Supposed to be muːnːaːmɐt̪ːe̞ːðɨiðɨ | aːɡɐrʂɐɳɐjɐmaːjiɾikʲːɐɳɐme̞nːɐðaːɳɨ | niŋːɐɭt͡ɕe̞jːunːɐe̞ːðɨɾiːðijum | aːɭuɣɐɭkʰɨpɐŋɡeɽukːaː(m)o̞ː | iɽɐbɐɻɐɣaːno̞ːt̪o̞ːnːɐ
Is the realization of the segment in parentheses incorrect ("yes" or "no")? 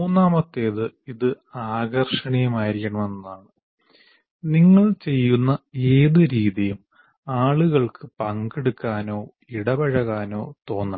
yes